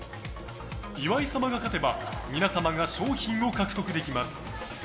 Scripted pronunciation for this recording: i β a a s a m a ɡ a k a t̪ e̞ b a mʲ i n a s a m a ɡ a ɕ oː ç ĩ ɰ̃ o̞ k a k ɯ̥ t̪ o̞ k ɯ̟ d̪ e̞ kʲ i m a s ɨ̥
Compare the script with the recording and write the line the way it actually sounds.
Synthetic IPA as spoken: i β a i s a m a ɡ a k a t̪ e̞ b a mʲ i n a s a m a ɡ a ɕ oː ç ĩ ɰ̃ o̞ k a k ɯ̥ t̪ o̞ k ɯ̟ d̪ e̞ kʲ i m a s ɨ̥